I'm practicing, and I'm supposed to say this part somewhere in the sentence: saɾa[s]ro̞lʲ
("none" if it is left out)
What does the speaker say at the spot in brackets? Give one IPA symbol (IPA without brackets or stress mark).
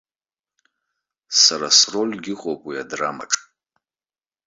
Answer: s